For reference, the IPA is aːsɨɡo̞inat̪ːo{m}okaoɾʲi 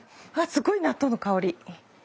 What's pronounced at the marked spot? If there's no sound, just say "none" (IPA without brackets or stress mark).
n